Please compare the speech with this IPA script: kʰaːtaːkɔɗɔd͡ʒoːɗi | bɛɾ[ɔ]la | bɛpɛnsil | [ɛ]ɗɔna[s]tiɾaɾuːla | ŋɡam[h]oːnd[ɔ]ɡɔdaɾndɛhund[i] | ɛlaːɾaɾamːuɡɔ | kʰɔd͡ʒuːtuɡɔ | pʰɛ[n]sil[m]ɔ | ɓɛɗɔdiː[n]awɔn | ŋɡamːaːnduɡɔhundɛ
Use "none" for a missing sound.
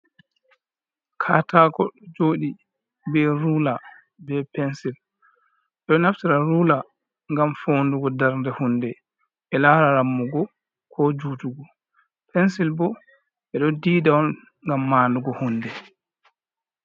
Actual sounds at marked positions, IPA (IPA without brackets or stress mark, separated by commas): u, ɛ, f, f, u, ɛ, n, b, d